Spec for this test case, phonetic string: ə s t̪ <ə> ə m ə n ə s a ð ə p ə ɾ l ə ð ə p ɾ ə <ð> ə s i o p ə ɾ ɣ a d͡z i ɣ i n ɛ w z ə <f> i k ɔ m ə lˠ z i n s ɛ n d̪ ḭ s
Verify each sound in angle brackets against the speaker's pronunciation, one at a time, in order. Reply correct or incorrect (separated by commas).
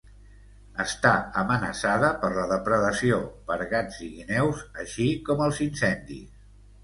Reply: incorrect, correct, incorrect